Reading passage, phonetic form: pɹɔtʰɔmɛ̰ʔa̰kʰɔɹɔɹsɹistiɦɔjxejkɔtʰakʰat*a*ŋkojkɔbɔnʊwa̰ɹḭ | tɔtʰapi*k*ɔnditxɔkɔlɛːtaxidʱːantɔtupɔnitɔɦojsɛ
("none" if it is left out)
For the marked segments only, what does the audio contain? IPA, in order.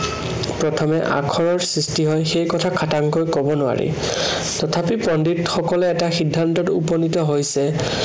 a, p

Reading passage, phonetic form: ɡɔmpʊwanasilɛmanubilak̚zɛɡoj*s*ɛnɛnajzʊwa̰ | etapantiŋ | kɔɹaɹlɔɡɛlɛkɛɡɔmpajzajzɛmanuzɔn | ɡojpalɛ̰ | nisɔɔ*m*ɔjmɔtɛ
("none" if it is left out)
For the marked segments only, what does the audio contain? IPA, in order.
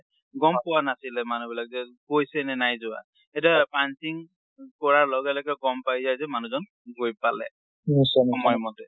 s, m

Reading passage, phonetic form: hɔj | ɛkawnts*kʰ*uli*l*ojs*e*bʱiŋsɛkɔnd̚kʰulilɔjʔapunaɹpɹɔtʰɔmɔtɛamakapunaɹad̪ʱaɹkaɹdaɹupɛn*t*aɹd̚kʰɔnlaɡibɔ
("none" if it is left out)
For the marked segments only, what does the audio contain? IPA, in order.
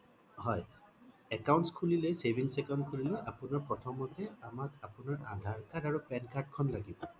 kʰ, l, e, k

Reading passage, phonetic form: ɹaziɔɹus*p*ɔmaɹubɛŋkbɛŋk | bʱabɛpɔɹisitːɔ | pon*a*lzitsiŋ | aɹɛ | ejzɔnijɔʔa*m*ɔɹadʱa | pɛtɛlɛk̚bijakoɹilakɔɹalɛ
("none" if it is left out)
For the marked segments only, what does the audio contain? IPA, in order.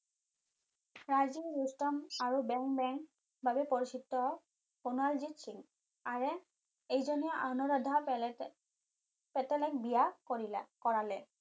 t, a, n

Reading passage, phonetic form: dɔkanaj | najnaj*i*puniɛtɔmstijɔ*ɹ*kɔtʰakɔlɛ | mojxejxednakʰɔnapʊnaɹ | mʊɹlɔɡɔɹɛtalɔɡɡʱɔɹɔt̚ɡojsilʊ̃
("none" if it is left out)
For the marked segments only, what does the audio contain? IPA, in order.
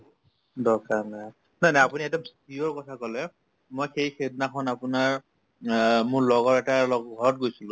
a, ɹ

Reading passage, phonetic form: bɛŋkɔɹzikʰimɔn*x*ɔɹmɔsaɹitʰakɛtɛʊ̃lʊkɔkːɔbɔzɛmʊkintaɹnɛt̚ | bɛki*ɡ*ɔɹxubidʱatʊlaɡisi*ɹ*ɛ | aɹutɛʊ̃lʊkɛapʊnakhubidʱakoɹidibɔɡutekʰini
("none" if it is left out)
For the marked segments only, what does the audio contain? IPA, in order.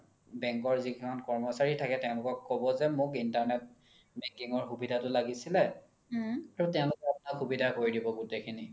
k, ŋ, l

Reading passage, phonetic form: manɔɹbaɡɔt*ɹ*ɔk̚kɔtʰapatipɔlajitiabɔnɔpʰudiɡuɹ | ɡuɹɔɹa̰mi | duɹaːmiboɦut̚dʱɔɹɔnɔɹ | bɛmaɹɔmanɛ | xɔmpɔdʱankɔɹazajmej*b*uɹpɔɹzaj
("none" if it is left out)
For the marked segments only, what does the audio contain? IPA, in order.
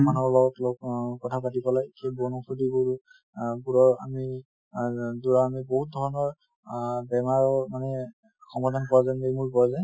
l, m

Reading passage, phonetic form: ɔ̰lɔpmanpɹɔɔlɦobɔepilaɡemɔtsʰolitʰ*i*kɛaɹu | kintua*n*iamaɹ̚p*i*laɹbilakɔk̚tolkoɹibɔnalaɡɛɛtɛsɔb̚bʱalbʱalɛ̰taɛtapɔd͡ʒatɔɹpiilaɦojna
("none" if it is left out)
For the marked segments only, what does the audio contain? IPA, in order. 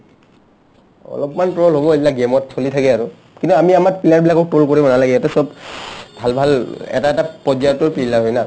a, m, i

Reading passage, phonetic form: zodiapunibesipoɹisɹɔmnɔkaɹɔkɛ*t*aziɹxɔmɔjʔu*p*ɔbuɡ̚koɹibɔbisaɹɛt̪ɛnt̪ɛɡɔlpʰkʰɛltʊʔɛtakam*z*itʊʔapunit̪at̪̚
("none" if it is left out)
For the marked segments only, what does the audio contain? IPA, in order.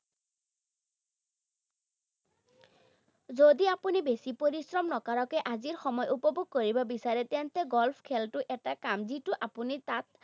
ʔ, p, z

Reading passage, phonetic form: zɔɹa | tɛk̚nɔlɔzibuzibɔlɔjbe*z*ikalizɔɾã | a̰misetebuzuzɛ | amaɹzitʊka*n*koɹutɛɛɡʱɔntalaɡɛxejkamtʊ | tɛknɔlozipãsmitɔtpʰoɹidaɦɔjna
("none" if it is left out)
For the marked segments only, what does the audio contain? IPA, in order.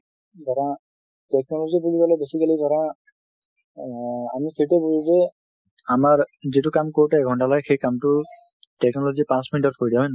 s, m

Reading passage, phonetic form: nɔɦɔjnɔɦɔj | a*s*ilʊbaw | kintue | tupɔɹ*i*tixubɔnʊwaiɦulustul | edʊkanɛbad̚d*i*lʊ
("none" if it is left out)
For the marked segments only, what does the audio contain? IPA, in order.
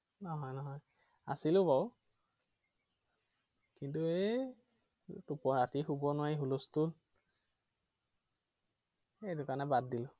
s, a, i

